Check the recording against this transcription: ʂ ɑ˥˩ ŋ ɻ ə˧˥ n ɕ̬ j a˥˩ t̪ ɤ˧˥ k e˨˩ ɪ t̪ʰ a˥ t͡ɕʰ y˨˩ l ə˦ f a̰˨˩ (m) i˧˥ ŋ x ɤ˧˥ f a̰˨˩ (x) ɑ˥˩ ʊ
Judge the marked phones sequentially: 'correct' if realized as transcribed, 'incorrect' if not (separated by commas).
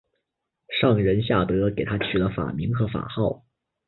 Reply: correct, correct